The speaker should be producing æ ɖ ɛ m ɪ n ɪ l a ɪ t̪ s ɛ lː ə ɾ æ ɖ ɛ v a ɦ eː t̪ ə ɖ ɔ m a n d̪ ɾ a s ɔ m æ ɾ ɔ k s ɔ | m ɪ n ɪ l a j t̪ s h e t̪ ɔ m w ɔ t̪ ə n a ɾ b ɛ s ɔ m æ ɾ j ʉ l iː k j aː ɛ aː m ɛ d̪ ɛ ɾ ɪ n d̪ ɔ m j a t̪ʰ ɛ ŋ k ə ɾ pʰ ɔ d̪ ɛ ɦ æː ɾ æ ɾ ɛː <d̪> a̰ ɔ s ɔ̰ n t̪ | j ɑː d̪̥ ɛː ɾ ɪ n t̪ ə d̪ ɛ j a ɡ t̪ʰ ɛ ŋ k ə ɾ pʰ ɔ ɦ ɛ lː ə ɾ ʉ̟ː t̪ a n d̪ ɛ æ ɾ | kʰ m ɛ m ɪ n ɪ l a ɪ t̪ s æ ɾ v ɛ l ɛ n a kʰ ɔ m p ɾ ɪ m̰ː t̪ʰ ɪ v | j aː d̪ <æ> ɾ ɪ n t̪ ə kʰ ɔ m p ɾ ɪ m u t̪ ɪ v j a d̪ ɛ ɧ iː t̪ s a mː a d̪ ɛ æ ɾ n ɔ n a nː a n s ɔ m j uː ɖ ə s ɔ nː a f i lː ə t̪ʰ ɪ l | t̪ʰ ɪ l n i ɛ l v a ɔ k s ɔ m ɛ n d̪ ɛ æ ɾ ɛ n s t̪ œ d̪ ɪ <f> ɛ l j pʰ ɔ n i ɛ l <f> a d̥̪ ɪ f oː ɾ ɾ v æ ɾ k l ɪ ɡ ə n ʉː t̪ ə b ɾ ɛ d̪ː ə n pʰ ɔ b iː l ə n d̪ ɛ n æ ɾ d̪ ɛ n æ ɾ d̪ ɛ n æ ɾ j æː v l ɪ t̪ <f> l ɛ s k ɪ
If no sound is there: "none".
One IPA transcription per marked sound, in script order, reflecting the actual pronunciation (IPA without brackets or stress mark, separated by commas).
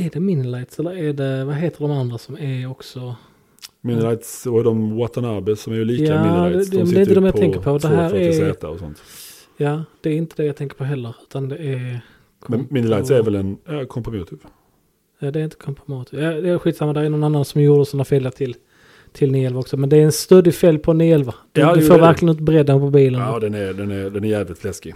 t̪, ɛ, f, v, f